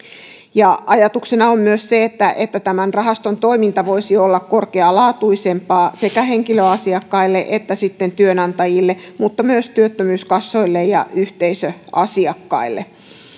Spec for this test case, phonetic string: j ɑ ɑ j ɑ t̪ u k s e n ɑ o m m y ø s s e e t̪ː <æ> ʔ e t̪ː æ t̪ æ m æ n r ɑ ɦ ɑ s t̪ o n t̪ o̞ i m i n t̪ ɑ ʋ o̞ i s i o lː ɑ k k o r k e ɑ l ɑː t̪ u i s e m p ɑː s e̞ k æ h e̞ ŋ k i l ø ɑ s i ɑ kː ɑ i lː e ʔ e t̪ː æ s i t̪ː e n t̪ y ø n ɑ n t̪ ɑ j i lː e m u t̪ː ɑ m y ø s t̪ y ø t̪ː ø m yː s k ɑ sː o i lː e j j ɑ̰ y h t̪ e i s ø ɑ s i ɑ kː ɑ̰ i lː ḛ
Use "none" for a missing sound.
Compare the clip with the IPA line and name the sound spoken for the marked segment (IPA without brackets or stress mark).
æ